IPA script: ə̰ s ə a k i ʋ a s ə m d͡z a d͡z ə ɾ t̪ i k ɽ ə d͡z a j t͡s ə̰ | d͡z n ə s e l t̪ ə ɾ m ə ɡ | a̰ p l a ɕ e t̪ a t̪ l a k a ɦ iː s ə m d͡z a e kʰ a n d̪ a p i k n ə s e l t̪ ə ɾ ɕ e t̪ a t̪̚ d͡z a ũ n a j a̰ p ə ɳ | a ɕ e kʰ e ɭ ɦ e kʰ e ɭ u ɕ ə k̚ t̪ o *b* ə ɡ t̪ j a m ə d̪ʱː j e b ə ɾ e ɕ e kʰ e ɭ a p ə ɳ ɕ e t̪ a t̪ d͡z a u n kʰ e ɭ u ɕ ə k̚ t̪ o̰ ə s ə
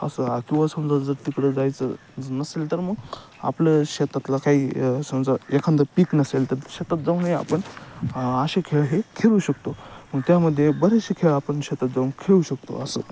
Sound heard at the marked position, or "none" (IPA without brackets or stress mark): m